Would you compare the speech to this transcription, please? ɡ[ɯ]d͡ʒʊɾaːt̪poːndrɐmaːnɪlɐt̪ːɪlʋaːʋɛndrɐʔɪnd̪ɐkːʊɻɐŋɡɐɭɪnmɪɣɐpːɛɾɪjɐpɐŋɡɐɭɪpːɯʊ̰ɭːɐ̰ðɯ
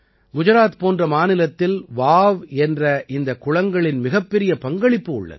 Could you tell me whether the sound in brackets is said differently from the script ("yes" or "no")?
yes